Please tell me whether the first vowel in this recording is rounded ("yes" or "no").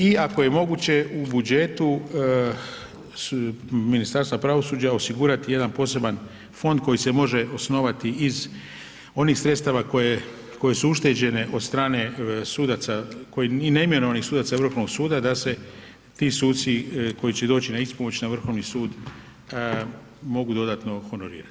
no